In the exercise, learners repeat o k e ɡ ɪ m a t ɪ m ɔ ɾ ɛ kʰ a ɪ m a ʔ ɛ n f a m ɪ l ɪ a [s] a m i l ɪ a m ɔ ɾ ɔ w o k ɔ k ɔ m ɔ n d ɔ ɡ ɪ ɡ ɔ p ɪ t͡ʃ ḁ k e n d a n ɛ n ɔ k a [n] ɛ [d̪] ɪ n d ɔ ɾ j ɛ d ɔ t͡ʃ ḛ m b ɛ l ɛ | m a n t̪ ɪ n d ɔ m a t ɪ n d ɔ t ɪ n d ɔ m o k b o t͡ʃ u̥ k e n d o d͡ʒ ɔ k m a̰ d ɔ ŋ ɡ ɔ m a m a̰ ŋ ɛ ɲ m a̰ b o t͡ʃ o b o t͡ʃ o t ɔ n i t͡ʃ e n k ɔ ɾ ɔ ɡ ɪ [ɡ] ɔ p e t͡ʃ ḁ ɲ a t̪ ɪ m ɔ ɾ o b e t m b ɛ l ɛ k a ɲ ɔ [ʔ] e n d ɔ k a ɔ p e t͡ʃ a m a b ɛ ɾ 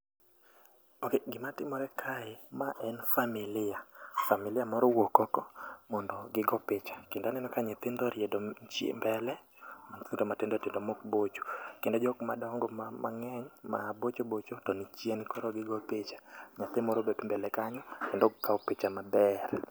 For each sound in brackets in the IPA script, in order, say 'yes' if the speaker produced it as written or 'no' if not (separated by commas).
no, no, no, yes, no